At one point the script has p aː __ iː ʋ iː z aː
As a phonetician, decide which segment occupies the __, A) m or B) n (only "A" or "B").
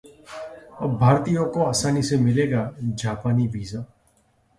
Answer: B